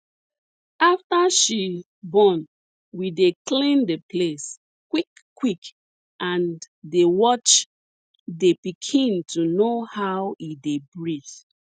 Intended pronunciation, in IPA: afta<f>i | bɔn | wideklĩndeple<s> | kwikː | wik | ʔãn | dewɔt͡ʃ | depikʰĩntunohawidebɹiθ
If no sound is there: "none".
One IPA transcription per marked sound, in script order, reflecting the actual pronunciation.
ʃ, s

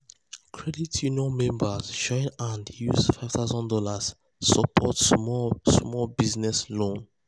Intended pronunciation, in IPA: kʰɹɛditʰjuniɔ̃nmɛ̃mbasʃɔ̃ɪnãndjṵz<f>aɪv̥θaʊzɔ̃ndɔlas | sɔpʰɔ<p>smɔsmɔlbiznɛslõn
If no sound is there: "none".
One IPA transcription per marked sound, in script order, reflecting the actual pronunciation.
f, t

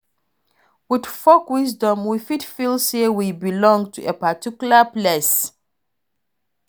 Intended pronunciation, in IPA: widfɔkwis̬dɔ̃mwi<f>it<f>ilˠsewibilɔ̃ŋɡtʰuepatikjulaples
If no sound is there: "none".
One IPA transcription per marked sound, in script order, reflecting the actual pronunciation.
f, f

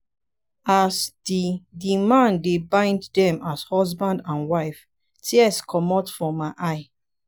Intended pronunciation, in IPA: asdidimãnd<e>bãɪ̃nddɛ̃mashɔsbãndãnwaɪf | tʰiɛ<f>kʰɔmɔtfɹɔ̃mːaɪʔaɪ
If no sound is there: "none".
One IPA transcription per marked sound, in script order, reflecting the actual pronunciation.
e, s

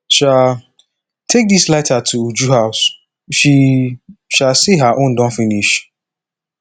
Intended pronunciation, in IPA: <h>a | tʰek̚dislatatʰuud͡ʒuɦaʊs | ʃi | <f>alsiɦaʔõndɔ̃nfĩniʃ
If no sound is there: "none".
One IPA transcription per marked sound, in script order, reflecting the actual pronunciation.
ʃ, ʃ

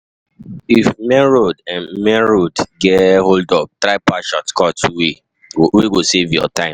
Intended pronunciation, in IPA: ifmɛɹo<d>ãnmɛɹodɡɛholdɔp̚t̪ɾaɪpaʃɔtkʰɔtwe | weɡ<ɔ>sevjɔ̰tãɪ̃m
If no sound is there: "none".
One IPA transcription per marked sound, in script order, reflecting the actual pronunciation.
d, o

